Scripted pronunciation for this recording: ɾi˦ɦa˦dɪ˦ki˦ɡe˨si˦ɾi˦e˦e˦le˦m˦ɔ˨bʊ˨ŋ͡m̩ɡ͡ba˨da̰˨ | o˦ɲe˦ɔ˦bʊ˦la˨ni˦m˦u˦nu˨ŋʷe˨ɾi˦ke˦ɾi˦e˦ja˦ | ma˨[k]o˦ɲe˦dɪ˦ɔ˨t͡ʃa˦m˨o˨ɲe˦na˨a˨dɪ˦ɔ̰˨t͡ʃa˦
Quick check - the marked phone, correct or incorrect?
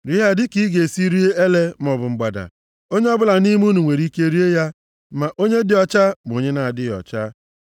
incorrect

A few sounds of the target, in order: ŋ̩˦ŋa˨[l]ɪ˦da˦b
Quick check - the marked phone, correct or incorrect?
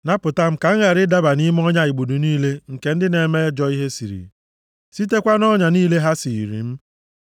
incorrect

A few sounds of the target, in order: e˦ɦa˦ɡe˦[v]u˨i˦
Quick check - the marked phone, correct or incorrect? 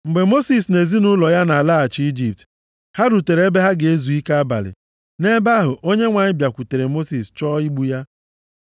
incorrect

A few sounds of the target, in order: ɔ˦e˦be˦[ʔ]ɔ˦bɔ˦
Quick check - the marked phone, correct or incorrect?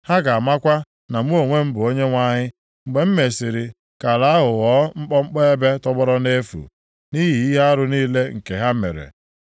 incorrect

